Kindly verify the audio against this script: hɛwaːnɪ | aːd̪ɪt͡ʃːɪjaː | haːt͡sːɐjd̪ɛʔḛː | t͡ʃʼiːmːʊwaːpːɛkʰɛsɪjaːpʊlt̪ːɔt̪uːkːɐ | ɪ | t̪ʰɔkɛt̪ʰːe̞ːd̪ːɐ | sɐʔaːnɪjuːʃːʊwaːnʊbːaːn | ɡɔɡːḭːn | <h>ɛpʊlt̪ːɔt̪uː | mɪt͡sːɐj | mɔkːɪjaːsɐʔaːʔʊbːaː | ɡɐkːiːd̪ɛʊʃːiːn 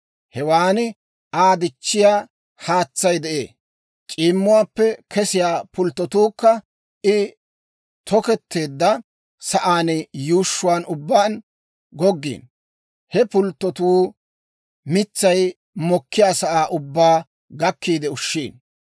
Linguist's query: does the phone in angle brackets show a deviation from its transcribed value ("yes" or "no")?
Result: no